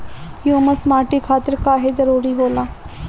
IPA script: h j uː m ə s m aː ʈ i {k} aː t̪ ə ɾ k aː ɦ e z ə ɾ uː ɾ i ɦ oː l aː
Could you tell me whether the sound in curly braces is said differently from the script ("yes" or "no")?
yes